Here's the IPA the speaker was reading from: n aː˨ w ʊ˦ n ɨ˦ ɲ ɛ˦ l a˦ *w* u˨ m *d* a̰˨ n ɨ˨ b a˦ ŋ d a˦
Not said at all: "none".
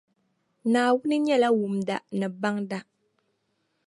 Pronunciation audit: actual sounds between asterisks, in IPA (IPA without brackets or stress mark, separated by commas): w, d